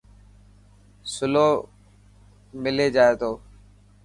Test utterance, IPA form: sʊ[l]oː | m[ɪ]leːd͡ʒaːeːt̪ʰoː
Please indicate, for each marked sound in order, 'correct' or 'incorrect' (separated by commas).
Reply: correct, correct